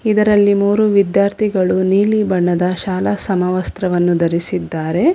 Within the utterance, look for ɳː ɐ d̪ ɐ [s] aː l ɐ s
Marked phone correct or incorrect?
incorrect